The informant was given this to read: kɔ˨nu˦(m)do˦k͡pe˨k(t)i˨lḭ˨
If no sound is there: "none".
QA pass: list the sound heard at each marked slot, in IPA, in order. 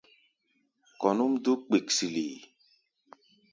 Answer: m, s

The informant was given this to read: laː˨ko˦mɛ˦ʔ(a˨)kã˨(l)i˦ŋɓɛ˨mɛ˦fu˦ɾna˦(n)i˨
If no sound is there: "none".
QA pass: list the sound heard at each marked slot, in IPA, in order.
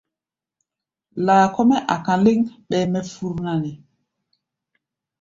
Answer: a˨, l, n

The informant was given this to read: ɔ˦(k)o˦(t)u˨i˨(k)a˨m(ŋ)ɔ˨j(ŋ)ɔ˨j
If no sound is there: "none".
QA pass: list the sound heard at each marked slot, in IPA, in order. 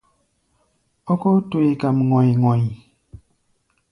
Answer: k, t, k, ŋ, ŋ

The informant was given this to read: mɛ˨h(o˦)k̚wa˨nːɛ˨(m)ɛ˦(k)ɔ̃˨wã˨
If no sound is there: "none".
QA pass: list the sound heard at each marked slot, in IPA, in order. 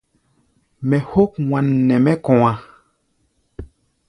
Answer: o˦, m, k

